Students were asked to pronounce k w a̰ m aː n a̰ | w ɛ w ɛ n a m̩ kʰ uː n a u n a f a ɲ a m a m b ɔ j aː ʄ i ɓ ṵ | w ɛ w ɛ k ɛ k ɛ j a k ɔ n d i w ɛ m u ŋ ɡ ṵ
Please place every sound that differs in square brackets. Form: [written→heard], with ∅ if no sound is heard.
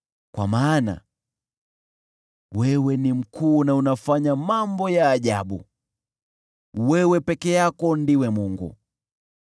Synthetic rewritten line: k w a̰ m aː n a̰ | w ɛ w ɛ n [a→i] m̩ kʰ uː n a u n a f a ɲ a m a m b ɔ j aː ʄ [i→a] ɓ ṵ | w ɛ w ɛ [k→p] ɛ k ɛ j a k ɔ n d i w ɛ m u ŋ ɡ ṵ